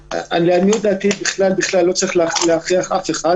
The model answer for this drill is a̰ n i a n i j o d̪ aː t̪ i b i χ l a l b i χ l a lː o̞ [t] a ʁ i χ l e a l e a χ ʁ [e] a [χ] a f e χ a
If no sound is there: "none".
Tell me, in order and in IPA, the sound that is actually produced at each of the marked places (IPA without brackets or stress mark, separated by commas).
t͡s, i, χ